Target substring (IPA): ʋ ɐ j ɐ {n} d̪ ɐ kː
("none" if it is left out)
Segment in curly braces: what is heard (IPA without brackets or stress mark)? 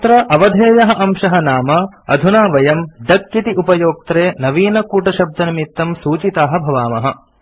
m